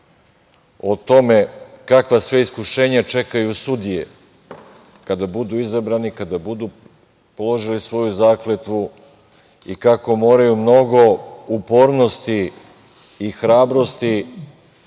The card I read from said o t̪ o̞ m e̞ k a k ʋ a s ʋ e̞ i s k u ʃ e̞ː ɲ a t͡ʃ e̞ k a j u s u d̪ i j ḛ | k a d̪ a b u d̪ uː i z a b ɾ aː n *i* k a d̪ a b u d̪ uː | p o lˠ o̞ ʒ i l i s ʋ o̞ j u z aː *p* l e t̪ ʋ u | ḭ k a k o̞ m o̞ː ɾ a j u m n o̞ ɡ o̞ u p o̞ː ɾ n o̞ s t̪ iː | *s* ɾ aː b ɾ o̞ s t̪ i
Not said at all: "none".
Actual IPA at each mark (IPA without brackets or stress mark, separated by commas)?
i, k, x